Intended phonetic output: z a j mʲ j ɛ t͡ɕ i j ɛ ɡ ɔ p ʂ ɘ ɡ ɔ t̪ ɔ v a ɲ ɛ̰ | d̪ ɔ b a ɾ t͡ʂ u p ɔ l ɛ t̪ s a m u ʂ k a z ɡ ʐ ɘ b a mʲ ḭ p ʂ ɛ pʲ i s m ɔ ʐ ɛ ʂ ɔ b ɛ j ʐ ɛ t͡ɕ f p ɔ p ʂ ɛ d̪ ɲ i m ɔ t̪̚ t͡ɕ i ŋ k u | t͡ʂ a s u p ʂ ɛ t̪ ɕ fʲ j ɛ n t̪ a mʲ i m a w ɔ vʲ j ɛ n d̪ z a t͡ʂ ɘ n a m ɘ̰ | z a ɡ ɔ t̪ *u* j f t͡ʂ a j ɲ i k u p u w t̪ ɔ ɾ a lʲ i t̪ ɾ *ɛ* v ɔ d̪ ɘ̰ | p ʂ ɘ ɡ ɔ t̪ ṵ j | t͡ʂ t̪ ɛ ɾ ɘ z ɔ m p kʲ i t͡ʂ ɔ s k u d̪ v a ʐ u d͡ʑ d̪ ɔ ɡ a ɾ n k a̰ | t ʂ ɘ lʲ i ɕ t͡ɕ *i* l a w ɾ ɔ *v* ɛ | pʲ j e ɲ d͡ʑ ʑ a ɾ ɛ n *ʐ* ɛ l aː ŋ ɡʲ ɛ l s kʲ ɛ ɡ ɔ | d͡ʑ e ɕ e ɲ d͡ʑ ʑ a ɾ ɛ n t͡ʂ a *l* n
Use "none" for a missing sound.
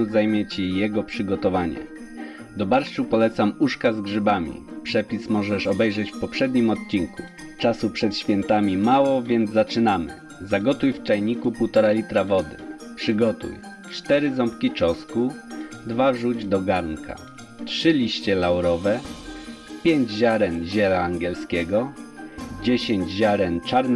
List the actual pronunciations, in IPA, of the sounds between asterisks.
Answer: u, a, ɛ, v, ʑ, ɾ

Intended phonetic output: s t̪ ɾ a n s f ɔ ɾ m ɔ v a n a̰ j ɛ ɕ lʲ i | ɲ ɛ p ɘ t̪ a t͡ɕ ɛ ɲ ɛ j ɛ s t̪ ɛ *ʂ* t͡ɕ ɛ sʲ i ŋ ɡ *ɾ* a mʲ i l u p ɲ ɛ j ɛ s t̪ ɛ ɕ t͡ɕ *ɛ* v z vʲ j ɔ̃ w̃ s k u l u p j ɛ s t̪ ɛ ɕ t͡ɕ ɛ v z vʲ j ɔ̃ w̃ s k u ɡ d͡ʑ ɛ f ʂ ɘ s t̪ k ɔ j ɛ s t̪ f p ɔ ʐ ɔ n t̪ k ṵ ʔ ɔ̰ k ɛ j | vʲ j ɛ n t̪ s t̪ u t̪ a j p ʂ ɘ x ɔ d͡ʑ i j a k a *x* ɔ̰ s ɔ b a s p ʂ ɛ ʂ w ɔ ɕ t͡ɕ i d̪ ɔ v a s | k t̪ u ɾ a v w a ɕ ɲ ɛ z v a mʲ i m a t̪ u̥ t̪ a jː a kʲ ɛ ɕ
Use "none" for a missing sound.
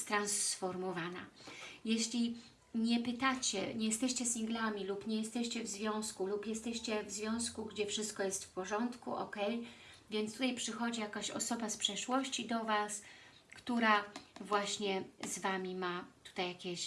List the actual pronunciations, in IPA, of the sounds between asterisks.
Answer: ɕ, l, ɛ, ɕ

